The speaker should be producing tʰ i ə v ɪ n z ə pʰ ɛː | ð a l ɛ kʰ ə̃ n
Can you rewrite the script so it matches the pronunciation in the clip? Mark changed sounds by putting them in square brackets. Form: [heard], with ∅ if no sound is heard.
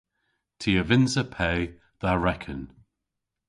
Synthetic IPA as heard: tʰ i ə v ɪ n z ə pʰ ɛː | ð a [ɹ] ɛ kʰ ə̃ n